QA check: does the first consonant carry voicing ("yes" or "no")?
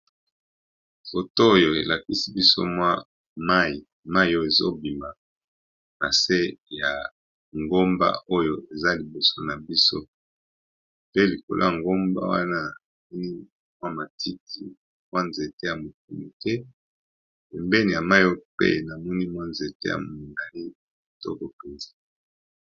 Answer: no